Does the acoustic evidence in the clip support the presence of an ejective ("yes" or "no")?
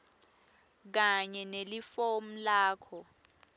no